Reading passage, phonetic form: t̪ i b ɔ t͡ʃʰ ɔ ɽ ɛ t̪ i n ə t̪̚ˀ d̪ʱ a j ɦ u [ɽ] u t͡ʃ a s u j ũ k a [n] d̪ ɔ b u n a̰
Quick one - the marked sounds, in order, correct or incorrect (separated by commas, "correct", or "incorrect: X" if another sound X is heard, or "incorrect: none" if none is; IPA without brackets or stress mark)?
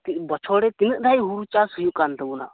incorrect: ɾ, correct